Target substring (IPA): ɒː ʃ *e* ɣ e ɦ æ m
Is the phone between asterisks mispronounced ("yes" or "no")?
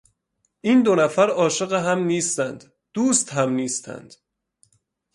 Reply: no